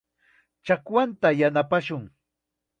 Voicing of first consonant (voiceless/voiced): voiceless